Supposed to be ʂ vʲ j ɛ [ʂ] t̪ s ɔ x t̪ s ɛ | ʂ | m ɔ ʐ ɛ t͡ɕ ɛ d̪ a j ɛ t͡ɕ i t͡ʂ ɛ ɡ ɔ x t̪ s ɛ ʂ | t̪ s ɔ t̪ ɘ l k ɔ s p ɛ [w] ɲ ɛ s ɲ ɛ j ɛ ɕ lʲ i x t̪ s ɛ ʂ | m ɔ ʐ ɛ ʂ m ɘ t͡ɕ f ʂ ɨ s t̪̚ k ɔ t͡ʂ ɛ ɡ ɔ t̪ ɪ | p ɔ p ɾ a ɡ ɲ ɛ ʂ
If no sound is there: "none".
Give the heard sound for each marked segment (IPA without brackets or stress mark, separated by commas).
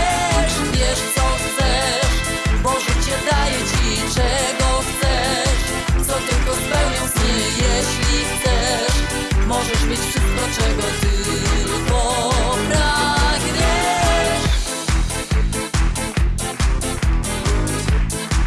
ʂ, w